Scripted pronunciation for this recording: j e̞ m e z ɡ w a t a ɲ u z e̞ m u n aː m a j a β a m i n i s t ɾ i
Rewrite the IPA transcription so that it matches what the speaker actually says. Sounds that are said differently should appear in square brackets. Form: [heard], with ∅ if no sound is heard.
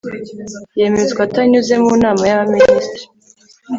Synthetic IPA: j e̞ m e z ɡ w a t a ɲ u z e̞ m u n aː m a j a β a m i n i s t ɾ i